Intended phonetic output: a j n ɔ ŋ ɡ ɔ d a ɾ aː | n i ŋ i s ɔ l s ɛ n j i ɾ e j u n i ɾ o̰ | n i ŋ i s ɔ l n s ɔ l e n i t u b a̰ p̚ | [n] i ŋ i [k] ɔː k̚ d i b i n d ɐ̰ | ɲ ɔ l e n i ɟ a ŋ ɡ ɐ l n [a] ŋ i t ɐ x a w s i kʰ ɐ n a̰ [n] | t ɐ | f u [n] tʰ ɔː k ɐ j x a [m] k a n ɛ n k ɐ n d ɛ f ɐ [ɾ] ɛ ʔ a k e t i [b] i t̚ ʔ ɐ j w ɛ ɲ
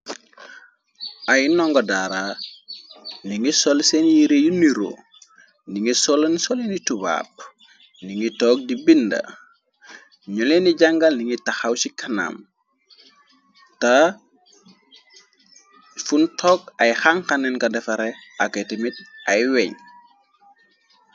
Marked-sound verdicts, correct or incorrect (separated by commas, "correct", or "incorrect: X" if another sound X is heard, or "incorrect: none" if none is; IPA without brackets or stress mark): correct, incorrect: t, incorrect: i, incorrect: m, correct, incorrect: ŋ, correct, incorrect: m